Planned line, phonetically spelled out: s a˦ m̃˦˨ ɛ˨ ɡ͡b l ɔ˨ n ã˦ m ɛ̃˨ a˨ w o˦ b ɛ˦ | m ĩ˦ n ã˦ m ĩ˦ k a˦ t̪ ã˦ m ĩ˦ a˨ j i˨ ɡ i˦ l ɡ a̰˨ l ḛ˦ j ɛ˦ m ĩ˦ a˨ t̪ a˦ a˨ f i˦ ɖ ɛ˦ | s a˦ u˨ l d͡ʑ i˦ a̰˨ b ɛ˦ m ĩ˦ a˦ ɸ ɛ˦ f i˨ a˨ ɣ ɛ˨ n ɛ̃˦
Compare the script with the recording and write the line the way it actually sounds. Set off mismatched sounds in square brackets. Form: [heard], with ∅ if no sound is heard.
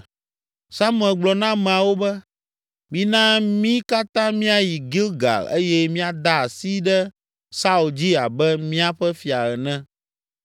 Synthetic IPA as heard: s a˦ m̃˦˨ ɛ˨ ɡ͡b l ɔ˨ n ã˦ m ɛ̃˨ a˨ w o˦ b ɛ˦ | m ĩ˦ n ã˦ m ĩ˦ k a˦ t̪ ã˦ m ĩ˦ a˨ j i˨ ɡ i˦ l ɡ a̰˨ l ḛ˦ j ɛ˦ m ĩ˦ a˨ [d̪] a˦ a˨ [s] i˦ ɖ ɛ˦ | s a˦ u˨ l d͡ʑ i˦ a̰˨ b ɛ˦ m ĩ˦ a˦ ɸ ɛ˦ f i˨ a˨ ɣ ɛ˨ n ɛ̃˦